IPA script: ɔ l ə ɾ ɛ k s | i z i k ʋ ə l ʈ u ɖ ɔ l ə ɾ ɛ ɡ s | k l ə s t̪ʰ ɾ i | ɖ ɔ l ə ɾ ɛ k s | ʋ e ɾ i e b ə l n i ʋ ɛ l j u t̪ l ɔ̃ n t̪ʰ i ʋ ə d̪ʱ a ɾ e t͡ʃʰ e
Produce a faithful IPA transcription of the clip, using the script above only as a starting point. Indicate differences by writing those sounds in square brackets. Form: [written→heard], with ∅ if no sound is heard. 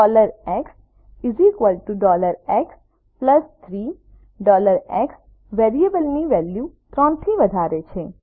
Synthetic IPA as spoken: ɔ l ə ɾ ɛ k s | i z i k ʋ ə l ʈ u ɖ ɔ l ə ɾ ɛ [ɡ→k] s | [k→p] l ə s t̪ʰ ɾ i | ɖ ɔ l ə ɾ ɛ k s | ʋ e ɾ i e b ə l n i ʋ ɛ l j u t̪ [l→ɾ] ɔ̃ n t̪ʰ i ʋ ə d̪ʱ a ɾ e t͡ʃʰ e